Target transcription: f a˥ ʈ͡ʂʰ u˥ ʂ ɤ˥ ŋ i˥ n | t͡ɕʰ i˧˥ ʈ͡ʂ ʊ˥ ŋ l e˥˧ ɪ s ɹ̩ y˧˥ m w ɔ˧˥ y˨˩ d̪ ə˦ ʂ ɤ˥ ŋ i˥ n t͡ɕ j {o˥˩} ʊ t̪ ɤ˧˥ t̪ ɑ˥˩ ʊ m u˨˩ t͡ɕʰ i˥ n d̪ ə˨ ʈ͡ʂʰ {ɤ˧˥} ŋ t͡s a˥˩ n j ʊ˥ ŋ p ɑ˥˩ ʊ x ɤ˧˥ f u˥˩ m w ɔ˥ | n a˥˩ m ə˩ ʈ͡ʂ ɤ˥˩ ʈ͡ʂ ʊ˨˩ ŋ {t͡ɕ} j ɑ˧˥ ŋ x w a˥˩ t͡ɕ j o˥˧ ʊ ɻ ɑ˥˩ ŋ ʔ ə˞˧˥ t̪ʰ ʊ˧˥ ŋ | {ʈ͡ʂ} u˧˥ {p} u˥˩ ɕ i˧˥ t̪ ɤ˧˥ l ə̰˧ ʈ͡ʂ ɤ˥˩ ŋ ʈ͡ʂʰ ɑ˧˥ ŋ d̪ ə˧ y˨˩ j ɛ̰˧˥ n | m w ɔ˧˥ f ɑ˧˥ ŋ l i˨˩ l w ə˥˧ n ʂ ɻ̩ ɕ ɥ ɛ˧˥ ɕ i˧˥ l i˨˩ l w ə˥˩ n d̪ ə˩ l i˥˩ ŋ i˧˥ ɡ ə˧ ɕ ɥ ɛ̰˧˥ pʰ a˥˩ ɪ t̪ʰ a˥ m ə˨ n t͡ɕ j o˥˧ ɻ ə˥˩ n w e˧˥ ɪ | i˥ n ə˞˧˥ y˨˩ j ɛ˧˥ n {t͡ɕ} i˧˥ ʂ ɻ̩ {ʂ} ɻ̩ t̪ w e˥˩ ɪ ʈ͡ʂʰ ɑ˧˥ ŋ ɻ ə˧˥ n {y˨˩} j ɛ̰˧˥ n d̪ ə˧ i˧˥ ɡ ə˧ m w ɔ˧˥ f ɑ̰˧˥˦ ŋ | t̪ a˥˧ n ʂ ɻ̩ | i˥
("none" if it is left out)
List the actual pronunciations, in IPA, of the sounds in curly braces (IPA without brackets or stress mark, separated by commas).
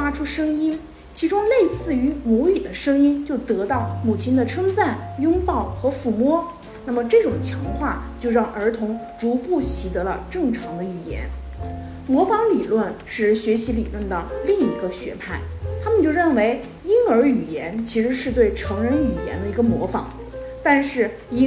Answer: o˥˩, ɤ˥, t͡ɕʰ, ʈ͡ʂ, p, t͡ɕʰ, ʂ, y˨˩